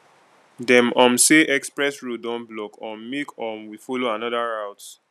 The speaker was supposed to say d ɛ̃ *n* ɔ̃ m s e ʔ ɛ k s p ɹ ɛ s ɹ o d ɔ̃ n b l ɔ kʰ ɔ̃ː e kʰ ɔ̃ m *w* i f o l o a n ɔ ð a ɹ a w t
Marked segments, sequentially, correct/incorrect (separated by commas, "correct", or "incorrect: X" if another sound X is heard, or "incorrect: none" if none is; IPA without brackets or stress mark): incorrect: m, correct